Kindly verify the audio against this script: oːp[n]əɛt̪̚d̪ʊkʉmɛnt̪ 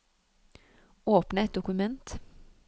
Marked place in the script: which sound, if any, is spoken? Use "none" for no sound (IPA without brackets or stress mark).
n